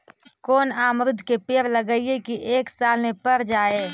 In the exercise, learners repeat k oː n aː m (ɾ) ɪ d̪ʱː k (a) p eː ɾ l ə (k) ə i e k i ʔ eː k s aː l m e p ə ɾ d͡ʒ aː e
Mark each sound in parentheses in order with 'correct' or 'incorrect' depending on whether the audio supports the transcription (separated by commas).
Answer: correct, incorrect, incorrect